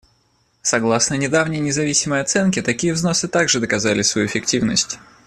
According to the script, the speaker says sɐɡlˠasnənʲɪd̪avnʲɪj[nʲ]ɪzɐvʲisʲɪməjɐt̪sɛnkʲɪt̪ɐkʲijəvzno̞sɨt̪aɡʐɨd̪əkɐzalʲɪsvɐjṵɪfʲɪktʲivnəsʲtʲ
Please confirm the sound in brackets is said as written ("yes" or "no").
yes